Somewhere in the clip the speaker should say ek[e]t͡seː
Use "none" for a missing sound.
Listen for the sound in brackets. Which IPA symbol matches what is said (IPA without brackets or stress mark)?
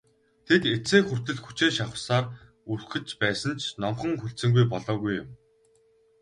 e